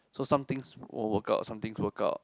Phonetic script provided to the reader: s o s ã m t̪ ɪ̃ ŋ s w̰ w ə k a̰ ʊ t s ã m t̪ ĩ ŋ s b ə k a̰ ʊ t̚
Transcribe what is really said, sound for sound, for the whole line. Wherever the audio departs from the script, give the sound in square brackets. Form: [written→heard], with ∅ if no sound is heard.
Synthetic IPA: s o s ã m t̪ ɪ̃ ŋ s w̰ w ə k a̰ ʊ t s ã m t̪ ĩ ŋ s [b→w] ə k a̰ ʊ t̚